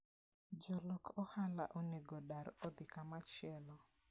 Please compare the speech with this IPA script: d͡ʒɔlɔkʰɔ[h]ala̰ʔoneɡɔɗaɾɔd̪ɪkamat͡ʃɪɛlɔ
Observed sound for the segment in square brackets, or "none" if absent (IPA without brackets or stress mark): h